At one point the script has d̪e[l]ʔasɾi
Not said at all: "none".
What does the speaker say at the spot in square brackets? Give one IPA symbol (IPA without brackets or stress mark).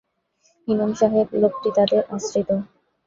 ɾ